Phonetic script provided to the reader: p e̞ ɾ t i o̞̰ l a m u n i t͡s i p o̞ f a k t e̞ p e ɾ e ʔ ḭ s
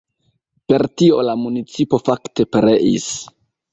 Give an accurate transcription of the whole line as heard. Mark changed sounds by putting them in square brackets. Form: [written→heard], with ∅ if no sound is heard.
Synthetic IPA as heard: p e̞ ɾ t i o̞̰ l a m u n i t͡s i p o̞ f a k t e̞ p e ɾ e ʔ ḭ s